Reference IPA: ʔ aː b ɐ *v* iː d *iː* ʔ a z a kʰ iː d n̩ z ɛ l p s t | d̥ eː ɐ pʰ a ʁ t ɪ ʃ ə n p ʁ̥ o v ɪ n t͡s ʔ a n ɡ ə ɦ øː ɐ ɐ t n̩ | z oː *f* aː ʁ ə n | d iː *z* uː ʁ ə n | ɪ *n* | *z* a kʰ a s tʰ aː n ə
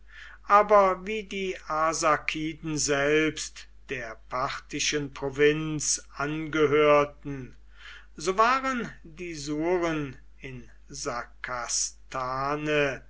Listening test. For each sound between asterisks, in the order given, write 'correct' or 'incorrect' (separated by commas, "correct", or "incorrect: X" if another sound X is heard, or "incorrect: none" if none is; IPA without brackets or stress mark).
correct, correct, incorrect: v, correct, correct, correct